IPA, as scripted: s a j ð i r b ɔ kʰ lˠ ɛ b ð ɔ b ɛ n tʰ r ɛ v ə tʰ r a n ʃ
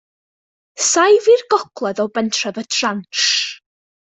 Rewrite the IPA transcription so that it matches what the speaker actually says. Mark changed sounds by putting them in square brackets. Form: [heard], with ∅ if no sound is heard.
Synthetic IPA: s a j [v] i r [ɡ] ɔ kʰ lˠ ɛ [∅] ð ɔ b ɛ n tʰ r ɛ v ə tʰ r a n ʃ